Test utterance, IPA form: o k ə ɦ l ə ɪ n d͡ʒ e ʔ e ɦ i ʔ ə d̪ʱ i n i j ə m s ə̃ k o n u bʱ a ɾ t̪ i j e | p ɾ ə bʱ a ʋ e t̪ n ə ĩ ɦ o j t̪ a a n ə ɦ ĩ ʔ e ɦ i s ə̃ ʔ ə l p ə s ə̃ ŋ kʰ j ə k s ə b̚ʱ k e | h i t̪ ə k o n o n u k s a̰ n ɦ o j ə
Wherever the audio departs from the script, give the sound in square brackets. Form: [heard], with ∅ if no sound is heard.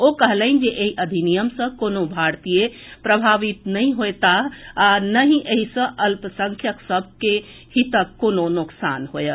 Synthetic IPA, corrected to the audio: o k ə ɦ l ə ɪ n d͡ʒ e ʔ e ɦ i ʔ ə d̪ʱ i n i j ə m s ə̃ k o n [o] bʱ a ɾ t̪ i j e | p ɾ ə bʱ a ʋ [i] t̪ n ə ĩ ɦ o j t̪ a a n ə ɦ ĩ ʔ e ɦ i s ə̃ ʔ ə l p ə s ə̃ ŋ kʰ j ə k s ə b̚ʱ k e | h i t̪ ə k o n o n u k s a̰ n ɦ o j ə